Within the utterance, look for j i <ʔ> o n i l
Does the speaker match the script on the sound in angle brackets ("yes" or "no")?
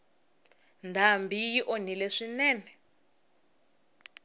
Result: yes